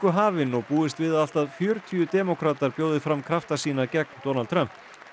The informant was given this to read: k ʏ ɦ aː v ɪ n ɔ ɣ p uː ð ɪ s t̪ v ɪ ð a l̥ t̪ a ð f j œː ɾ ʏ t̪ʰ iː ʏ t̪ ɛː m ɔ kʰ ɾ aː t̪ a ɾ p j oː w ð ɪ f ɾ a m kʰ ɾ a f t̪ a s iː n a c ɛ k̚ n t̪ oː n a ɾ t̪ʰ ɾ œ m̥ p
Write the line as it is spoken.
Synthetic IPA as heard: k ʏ ɦ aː v ɪ n ɔ ɣ p uː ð ɪ s t̪ v ɪ ð a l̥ t̪ a ð f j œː ɾ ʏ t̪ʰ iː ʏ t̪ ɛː m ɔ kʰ ɾ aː t̪ a ɾ p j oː w ð ɪ f ɾ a m kʰ ɾ a f t̪ a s iː n a c ɛ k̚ n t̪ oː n a l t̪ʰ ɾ œ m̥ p